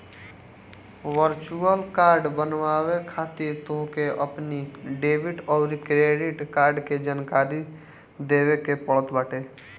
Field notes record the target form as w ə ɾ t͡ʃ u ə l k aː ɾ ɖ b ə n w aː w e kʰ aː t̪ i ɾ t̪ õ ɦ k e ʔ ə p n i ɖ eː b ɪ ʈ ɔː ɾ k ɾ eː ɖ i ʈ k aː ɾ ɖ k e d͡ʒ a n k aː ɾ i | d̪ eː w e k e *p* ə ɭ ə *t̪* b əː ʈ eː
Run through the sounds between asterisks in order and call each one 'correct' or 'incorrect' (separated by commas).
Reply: correct, correct